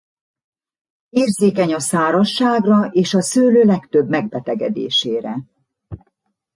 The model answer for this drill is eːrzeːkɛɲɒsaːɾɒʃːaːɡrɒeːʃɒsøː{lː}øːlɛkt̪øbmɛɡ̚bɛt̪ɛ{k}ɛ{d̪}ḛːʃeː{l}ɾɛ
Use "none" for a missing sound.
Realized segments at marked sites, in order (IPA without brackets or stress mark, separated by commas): l, ɡ, d̪, none